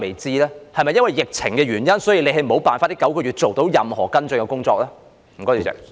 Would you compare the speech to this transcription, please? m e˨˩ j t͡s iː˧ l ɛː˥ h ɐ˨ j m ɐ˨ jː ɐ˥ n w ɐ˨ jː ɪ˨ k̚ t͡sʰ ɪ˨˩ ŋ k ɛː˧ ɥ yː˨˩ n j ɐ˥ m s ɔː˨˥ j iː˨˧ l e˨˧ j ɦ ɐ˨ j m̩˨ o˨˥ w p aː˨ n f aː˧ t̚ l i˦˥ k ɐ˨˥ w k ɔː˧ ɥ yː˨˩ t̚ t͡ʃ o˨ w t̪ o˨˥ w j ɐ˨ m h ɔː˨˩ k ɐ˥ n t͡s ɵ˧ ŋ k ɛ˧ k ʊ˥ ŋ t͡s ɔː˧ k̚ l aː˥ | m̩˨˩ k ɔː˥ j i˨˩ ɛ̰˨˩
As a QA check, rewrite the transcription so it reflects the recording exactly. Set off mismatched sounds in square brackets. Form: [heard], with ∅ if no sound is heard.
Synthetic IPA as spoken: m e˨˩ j t͡s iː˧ l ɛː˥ h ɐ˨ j m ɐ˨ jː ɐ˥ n w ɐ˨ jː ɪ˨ k̚ t͡sʰ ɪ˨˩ ŋ k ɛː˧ ɥ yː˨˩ n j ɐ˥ [n] s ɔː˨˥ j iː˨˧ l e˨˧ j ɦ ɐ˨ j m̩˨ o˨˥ w p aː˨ n f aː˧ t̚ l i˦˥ k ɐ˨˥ w k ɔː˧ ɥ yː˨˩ t̚ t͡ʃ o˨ w t̪ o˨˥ w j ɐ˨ m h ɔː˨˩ k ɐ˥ n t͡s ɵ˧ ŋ k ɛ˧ k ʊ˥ ŋ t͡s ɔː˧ k̚ l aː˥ | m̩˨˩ k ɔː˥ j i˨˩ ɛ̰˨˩